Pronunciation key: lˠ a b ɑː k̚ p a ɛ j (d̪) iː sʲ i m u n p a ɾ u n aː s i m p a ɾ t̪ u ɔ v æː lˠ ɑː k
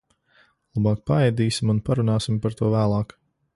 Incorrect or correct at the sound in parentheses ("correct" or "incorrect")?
correct